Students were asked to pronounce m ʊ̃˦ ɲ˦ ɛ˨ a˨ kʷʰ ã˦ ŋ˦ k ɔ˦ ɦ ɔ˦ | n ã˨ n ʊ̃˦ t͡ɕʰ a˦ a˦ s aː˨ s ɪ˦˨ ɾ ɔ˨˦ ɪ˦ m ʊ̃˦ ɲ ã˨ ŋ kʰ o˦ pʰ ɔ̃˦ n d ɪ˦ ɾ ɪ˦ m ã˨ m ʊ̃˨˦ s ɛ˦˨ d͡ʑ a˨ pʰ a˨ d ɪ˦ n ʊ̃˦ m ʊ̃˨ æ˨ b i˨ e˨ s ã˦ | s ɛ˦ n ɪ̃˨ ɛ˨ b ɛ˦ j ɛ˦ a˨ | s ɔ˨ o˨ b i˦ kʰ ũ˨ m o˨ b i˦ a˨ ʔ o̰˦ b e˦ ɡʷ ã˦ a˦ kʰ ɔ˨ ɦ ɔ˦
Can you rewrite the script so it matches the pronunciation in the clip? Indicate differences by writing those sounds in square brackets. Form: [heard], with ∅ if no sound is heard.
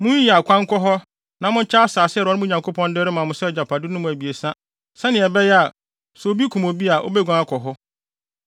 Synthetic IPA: m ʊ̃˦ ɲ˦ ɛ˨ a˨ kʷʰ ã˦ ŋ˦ k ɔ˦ ɦ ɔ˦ | n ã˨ [m] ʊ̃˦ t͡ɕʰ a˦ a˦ s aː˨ s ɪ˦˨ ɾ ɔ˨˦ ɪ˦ m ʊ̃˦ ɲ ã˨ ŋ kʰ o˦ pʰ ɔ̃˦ n d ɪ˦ ɾ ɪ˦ m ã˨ m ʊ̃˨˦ s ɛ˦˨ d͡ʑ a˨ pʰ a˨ d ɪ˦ n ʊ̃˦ m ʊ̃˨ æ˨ b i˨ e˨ s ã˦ | s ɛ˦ n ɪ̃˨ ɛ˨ b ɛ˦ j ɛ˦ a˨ | s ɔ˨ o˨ b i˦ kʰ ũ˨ m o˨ b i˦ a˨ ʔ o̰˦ b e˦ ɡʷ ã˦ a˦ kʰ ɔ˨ ɦ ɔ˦